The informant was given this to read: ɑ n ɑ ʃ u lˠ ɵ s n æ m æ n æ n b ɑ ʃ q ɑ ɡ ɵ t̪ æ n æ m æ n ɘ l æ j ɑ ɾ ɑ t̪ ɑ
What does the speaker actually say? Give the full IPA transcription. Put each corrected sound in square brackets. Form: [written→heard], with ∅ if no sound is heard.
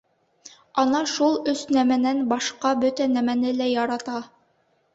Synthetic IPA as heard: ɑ n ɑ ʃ u lˠ ɵ s n æ m æ n æ n b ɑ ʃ q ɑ [ɡ→b] ɵ t̪ æ n æ m æ n ɘ l æ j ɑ ɾ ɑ t̪ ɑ